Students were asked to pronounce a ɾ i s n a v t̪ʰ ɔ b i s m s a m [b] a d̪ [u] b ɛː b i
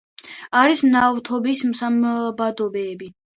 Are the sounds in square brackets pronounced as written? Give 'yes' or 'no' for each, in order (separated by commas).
yes, no